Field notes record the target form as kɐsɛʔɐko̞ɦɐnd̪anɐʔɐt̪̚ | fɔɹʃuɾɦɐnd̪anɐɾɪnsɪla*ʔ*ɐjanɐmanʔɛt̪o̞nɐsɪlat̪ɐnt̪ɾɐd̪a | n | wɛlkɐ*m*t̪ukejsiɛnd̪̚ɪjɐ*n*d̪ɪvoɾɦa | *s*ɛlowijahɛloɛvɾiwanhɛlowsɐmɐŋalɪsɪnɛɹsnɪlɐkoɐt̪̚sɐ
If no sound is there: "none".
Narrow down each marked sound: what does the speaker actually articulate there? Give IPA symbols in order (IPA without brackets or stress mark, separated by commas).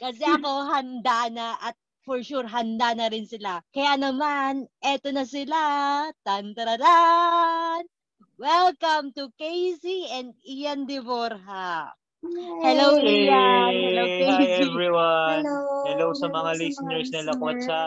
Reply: k, m, n, h